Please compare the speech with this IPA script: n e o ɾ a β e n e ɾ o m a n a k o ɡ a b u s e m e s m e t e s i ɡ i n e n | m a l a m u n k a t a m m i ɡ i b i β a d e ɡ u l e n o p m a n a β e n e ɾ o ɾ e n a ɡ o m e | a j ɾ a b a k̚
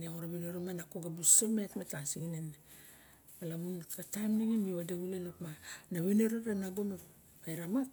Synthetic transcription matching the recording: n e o ɾ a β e n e ɾ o m a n a k o ɡ a b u s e m e t m e t a s i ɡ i n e n | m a l a m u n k a t a m n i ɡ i m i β a d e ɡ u l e n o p m a n a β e n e ɾ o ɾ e n a ɡ o m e | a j ɾ a m a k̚